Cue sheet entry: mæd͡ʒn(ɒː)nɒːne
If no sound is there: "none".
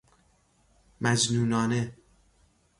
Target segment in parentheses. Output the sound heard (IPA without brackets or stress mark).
uː